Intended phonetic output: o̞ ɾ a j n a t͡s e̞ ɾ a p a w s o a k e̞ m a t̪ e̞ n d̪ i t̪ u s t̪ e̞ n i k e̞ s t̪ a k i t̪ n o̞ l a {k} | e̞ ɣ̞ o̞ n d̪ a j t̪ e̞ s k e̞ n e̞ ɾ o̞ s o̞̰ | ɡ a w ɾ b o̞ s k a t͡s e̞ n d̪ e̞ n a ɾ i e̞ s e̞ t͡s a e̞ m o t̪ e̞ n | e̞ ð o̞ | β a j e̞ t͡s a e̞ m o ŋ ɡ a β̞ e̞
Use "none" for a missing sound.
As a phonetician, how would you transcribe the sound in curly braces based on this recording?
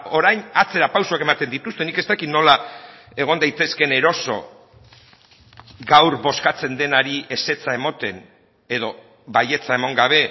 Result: none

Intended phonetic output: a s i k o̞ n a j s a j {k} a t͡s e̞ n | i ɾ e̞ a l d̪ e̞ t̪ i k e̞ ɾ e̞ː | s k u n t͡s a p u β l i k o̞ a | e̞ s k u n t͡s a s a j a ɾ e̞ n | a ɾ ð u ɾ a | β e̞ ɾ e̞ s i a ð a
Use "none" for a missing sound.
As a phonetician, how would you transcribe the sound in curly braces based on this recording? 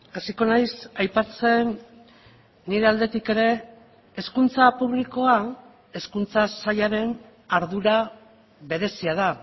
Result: p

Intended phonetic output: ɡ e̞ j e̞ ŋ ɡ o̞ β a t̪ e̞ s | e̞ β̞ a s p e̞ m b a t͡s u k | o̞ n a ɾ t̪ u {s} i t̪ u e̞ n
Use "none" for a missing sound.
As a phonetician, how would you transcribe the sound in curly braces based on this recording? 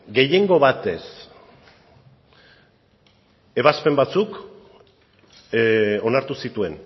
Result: s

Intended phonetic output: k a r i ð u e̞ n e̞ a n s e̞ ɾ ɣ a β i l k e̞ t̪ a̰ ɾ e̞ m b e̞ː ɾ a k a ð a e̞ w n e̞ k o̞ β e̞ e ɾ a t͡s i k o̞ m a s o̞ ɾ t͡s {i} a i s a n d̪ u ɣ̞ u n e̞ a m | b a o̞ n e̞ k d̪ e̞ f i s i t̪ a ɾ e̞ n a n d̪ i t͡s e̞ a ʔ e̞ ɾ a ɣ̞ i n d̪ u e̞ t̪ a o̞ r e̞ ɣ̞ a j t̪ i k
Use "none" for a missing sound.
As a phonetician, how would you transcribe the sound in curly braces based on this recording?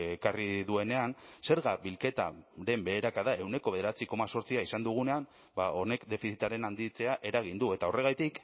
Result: i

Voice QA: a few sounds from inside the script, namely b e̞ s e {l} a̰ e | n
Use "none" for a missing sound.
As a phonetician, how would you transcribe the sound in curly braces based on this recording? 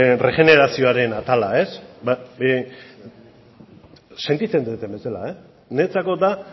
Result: l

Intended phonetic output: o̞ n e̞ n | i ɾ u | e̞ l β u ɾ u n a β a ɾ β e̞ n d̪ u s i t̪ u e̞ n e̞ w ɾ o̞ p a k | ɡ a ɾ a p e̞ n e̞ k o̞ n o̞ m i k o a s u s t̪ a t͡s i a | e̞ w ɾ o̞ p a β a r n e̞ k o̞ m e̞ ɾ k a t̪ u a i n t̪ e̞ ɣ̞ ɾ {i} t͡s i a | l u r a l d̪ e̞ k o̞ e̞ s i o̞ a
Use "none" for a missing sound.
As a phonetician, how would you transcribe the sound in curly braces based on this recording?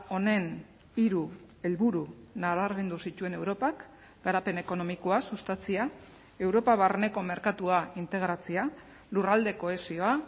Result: a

